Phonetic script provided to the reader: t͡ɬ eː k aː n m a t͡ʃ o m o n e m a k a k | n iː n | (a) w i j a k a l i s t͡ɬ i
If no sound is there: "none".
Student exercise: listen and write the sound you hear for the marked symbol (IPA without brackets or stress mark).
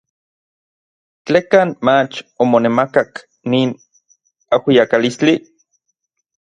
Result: a